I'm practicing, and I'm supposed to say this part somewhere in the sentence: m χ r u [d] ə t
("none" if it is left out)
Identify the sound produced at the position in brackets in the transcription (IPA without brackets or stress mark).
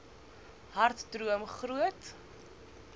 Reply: none